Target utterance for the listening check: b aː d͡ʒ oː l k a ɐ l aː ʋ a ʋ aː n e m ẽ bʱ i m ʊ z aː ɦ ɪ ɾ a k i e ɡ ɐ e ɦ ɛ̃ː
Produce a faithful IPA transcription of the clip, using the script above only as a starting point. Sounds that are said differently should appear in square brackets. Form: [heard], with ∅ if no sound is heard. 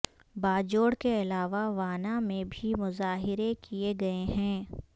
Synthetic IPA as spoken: b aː d͡ʒ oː [ɽ] k [e] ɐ l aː ʋ a ʋ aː n [a] m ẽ bʱ i m ʊ z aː ɦ ɪ ɾ [e] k i e ɡ ɐ e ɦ ɛ̃ː